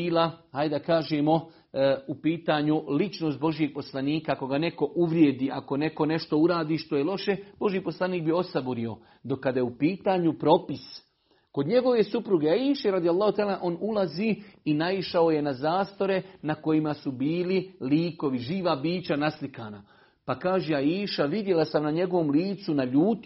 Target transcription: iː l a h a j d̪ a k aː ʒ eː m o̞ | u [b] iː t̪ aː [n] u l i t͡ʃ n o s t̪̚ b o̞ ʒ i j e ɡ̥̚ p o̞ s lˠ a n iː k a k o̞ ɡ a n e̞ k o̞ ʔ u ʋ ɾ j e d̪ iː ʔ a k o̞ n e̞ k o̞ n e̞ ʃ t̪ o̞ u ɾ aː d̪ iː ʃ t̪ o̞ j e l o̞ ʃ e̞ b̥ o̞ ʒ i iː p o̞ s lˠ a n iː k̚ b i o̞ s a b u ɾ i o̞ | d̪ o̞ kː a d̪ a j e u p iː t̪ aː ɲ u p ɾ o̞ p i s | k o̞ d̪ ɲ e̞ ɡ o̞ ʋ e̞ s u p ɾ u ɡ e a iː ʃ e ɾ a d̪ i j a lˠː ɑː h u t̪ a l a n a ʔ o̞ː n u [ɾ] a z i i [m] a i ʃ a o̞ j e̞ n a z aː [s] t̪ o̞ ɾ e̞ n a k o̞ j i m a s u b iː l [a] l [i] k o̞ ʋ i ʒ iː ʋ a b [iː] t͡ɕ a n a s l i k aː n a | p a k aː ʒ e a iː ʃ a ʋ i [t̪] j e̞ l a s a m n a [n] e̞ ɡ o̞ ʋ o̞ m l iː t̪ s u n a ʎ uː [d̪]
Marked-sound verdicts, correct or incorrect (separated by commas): incorrect, incorrect, incorrect, incorrect, correct, incorrect, incorrect, correct, incorrect, incorrect, incorrect